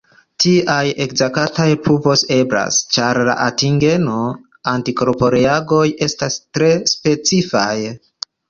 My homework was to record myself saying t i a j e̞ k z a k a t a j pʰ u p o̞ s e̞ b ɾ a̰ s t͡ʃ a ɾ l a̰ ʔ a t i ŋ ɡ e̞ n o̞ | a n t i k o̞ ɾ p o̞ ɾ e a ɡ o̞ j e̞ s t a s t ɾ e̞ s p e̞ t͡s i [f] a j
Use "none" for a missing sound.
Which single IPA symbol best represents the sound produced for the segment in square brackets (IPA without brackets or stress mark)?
f